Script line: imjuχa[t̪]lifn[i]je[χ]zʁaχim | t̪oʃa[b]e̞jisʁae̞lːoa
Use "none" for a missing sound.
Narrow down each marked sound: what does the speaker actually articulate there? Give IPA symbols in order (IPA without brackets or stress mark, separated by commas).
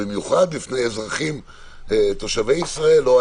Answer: d̪, e, none, v